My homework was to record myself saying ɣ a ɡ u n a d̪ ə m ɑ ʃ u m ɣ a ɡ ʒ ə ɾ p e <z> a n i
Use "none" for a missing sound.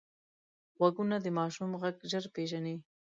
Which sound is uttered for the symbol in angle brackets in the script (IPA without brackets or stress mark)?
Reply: ʒ